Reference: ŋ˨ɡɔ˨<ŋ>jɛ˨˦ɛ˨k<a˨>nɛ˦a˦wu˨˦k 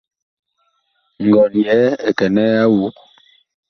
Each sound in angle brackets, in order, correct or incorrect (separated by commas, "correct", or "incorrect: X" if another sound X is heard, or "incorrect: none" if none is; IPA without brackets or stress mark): incorrect: n, incorrect: ɛ˨